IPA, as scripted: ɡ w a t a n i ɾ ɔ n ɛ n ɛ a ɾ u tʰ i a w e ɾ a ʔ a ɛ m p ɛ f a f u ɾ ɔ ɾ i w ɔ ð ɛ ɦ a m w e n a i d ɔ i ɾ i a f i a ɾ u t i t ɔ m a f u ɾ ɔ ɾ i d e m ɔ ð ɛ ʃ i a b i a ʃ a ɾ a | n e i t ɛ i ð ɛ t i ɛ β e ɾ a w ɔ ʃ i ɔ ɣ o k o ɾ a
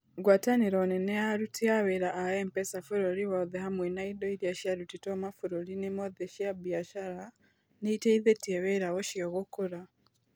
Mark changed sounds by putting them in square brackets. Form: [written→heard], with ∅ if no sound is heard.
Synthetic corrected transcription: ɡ w a t a n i ɾ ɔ n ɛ n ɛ a ɾ u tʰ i a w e ɾ a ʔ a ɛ m p ɛ [f→s] a f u ɾ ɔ ɾ i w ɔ ð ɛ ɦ a m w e n a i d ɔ i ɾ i a [f→ʃ] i a ɾ u t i t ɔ m a f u ɾ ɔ ɾ i [d→n] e m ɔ ð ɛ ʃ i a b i a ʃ a ɾ a | n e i t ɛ i ð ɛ t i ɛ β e ɾ a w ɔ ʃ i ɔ ɣ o k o ɾ a